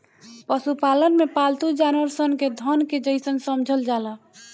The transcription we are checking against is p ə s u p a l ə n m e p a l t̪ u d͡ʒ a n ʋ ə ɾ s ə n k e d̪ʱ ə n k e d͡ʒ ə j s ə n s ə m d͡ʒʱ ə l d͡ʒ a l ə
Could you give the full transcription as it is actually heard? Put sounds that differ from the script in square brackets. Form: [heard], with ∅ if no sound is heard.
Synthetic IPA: p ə s u p a l ə n m e p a l t̪ u d͡ʒ a n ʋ ə ɾ s ə n k e d̪ʱ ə n k e d͡ʒ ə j s ə n s ə m d͡ʒʱ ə l d͡ʒ a l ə